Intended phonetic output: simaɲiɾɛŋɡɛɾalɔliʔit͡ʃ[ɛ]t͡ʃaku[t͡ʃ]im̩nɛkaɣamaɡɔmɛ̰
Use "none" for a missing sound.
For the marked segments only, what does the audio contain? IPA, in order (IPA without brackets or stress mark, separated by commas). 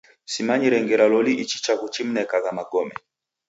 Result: i, t͡ʃ